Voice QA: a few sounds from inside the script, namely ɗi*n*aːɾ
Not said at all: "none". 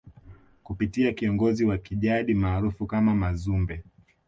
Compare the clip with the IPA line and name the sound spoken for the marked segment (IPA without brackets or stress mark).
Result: m